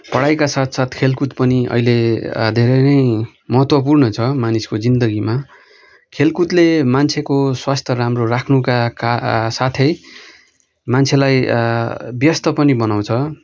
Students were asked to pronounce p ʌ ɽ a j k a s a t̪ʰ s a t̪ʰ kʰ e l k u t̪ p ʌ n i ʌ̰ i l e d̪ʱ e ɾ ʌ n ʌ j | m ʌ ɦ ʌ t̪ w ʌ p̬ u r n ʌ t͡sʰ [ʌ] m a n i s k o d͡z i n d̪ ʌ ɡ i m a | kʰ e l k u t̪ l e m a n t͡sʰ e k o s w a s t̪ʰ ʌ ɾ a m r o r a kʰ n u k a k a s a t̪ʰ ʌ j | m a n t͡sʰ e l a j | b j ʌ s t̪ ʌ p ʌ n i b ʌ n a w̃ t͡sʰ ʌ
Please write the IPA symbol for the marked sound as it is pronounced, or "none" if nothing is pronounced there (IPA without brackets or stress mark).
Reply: ʌ